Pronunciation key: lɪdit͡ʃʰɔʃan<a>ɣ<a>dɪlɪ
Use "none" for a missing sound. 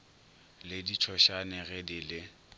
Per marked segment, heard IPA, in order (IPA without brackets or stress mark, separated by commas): ɛ, ɛ